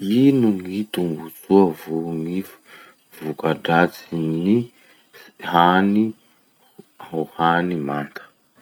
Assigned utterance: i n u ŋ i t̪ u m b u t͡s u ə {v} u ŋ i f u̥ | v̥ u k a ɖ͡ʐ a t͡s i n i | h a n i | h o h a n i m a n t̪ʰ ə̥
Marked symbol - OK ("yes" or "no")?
yes